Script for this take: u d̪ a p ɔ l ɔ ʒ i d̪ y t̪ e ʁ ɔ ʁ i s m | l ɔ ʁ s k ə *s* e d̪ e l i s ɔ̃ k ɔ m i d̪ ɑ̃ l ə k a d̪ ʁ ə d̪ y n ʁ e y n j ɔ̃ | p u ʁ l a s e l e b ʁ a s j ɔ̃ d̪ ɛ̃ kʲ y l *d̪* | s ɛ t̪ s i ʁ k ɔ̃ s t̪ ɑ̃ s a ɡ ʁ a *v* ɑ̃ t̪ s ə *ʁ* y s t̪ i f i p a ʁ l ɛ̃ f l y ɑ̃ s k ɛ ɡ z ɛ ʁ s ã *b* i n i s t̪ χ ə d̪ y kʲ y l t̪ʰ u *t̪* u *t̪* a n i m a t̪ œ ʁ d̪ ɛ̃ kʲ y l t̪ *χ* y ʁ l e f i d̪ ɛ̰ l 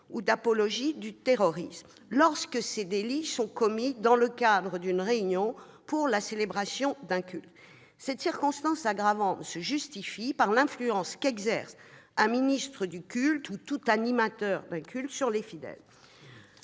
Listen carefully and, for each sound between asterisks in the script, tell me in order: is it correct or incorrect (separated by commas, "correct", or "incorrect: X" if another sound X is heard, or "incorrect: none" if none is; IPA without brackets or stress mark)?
correct, incorrect: t̪, correct, incorrect: ʒ, incorrect: m, correct, correct, incorrect: s